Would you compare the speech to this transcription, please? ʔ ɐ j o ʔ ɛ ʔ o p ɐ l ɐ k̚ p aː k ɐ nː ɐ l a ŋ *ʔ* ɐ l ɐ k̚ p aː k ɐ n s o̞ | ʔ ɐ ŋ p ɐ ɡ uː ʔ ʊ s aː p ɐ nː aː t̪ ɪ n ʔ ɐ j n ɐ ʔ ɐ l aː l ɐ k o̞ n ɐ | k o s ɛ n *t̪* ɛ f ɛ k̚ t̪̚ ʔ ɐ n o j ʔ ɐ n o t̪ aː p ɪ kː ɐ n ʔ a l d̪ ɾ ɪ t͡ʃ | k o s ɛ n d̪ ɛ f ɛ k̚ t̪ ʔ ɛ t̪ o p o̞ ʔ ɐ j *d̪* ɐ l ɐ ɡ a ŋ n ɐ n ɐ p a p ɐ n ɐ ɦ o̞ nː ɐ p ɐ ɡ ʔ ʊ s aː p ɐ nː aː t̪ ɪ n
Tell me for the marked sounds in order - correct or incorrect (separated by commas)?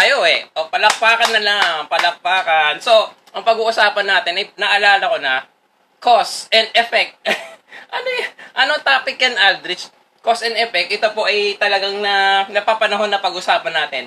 incorrect, incorrect, incorrect